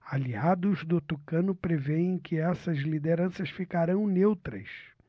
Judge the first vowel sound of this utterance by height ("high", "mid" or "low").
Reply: low